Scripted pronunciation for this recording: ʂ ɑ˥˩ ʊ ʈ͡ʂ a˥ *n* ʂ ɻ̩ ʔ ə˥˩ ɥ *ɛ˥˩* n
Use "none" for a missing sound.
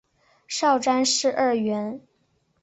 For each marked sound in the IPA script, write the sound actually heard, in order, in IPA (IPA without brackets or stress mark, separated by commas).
n, ɛ˧˥